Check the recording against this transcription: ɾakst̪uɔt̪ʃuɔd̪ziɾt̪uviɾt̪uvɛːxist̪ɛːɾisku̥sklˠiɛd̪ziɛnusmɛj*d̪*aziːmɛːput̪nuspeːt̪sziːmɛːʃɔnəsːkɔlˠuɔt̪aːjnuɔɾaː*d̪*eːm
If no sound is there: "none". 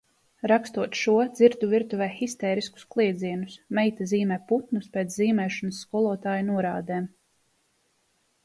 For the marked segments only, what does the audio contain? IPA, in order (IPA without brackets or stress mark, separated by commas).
t̪, d̪